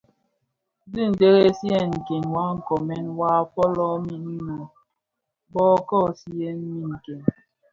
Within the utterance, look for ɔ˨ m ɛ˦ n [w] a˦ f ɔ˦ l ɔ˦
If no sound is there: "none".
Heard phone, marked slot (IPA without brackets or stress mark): w